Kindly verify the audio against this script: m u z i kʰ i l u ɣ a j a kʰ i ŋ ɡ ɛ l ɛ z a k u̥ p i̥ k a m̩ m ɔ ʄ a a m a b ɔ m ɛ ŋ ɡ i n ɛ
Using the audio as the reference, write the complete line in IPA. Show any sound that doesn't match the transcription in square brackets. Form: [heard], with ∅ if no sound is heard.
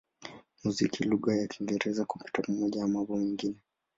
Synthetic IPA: m u z i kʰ i l u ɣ a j a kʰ i ŋ ɡ ɛ [ɾ] ɛ z a k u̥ p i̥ [t] a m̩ m ɔ ʄ a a m a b ɔ m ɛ ŋ ɡ i n ɛ